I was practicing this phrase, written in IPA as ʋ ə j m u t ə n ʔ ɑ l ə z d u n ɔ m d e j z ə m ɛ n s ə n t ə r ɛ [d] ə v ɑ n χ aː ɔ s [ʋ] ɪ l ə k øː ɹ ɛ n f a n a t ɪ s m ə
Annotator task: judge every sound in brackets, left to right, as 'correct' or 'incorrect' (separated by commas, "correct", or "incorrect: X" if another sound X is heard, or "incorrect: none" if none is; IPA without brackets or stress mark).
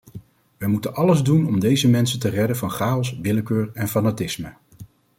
correct, correct